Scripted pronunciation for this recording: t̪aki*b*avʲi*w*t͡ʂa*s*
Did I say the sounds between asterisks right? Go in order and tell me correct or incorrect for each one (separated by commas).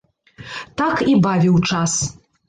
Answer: correct, correct, correct